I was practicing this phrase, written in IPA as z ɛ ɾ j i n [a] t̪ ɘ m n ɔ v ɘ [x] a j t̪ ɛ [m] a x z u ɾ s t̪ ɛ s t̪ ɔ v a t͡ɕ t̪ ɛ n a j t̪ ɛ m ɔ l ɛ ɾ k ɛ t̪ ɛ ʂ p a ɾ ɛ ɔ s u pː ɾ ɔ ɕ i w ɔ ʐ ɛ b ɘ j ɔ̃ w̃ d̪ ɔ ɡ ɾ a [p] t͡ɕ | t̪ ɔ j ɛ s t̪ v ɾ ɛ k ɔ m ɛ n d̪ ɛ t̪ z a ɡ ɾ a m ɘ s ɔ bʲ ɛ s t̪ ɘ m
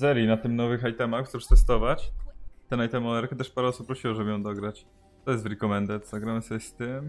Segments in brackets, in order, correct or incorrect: correct, correct, correct, incorrect: none

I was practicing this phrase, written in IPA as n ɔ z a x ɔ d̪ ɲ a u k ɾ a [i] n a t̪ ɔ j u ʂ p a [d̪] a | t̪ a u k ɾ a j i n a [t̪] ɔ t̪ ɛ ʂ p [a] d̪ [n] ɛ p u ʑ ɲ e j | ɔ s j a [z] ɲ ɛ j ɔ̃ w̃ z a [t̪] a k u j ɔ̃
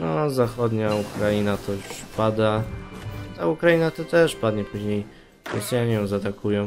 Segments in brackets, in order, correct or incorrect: correct, correct, correct, correct, incorrect: ɲ, incorrect: none, correct

